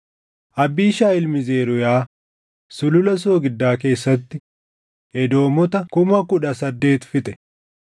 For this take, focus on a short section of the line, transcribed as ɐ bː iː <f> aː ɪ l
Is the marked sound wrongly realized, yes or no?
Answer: yes